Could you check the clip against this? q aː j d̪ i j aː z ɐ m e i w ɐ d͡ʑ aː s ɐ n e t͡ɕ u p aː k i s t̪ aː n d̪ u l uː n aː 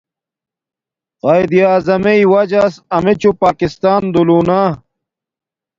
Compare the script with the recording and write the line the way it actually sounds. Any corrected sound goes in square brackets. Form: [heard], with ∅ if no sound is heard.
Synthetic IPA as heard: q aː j d̪ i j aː z ɐ m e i w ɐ d͡ʑ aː s ɐ [m] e t͡ɕ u p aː k i s t̪ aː n d̪ u l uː n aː

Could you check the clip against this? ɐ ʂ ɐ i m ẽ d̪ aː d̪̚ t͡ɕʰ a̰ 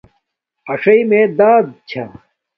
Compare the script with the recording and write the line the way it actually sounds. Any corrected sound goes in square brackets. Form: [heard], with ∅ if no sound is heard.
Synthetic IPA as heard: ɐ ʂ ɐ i m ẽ d̪ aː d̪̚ t͡ɕʰ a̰

